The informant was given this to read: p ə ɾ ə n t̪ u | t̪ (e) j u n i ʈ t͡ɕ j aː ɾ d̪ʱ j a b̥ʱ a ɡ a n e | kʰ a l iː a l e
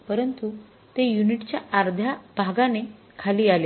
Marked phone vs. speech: correct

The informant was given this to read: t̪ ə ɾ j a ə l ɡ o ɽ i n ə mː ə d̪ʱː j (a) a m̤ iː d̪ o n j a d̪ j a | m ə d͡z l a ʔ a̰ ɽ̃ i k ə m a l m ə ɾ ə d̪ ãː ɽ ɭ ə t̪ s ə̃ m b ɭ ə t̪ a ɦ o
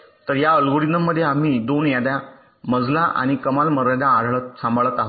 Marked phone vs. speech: incorrect: e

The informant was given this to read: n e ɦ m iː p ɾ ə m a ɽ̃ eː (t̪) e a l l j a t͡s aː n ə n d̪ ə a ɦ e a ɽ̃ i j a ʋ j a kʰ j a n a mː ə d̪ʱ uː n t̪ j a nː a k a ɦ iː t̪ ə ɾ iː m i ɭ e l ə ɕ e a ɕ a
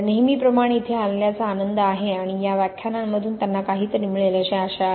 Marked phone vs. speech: incorrect: t̪ʰ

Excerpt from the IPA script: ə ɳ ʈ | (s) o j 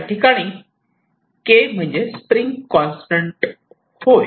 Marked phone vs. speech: incorrect: h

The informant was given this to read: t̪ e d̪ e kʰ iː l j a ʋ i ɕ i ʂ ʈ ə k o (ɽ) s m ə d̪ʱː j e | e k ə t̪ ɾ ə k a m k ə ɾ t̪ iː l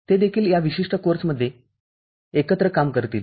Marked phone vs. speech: incorrect: ɾ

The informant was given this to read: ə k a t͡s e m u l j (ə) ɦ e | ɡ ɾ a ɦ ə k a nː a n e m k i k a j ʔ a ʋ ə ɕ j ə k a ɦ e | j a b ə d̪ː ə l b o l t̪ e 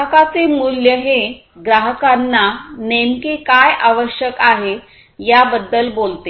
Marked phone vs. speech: correct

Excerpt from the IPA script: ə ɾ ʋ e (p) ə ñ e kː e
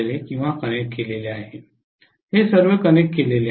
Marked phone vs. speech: incorrect: k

